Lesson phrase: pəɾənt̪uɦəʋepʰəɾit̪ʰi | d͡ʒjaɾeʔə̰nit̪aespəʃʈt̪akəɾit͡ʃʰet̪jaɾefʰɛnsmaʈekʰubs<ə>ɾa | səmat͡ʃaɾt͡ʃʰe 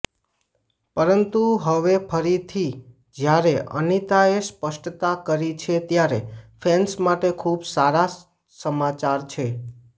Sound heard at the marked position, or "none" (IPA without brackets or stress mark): a